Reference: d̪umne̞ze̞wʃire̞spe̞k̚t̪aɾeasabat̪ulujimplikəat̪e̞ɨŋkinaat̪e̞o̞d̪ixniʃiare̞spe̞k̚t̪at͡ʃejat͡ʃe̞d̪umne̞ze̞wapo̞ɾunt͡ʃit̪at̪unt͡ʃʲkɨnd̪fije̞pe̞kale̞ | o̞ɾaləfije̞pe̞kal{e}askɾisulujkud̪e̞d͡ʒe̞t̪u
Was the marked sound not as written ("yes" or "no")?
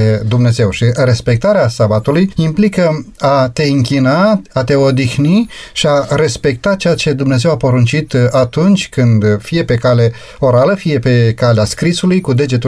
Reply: no